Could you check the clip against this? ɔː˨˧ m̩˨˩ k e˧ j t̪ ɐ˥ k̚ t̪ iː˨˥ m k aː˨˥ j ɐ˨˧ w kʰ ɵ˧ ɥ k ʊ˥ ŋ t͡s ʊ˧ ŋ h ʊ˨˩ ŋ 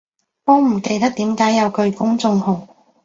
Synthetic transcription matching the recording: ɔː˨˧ m̩˨˩ k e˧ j t̪ ɐ˥ k̚ t̪ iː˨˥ m k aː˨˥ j ɐ˨˧ w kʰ ɵ˧ ɥ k ʊ˥ ŋ t͡s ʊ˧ ŋ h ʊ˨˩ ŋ

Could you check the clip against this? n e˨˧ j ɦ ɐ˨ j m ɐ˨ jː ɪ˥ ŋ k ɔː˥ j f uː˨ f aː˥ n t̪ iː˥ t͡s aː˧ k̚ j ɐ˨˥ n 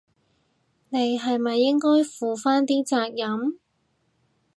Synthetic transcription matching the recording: n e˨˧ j ɦ ɐ˨ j m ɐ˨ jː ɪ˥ ŋ k ɔː˥ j f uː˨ f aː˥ n t̪ iː˥ t͡s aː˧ k̚ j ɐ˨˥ m

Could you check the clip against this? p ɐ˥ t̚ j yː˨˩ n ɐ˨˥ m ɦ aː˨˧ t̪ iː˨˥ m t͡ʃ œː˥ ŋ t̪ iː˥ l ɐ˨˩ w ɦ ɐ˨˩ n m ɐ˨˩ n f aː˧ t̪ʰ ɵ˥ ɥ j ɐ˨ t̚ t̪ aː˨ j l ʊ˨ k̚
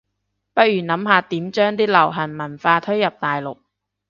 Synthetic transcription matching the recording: p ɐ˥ t̚ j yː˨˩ n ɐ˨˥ m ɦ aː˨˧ t̪ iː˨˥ m t͡ʃ œː˥ ŋ t̪ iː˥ l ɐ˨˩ w ɦ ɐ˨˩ n m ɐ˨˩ n f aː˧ t̪ʰ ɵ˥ ɥ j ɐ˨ p̚ t̪ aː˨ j l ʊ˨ k̚

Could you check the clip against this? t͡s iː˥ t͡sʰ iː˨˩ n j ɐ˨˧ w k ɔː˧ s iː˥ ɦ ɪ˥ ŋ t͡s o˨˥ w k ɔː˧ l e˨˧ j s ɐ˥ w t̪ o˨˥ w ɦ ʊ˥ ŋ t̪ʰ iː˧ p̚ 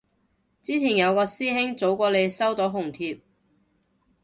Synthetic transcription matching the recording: t͡s iː˥ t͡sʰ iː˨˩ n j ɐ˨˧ w k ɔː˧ s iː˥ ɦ ɪ˥ ŋ t͡s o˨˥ w k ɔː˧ l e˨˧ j s ɐ˥ w t̪ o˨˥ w ɦ ʊ˨˩ ŋ t̪ʰ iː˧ p̚

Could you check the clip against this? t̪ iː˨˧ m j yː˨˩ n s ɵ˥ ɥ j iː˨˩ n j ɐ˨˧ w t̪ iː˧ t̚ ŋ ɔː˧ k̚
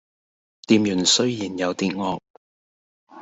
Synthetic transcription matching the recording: t̪ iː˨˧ m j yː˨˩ n s ɵ˥ ɥ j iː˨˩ n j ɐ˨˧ w t̪ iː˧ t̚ ŋ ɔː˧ k̚

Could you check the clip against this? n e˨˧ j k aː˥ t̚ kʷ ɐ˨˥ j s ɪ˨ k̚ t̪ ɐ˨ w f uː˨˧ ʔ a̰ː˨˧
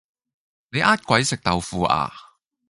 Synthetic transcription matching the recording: n e˨˧ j ʔ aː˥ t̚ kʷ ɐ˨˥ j s ɪ˨ k̚ t̪ ɐ˨ w f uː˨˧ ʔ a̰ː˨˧

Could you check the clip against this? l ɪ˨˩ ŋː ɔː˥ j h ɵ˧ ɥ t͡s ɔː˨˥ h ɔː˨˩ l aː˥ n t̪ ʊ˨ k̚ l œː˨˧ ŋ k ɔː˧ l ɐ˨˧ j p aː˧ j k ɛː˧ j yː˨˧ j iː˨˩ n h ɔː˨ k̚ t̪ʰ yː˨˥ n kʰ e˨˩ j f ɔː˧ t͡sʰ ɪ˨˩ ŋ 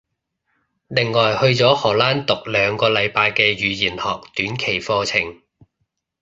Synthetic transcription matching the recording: l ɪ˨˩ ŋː ɔː˨˩ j h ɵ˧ ɥ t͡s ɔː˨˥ h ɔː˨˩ l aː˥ n t̪ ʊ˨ k̚ l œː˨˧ ŋ k ɔː˧ l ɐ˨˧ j p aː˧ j k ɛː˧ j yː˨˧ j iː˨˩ n h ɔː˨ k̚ t̪ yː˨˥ n kʰ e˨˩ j f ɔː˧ t͡sʰ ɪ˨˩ ŋ

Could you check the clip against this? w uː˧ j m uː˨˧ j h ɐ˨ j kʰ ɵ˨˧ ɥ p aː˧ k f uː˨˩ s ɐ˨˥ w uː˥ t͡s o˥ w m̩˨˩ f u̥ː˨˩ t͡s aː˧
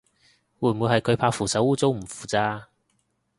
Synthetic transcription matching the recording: w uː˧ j m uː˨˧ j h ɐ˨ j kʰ ɵ˨˧ ɥ pʰ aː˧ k f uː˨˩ s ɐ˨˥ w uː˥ t͡s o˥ w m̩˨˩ f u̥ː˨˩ t͡s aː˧

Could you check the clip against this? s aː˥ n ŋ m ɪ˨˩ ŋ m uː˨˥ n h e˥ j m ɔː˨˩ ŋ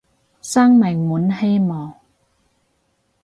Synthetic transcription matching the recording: s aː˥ ŋ m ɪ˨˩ ŋ m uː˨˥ n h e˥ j m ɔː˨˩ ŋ

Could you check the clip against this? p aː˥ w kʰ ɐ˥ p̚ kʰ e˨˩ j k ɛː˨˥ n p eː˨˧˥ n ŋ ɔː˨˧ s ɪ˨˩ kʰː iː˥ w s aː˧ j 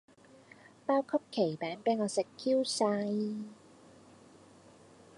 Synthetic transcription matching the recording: p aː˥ w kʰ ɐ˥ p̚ kʰ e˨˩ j p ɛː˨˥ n p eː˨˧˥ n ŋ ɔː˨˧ s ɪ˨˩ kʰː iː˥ w s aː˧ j

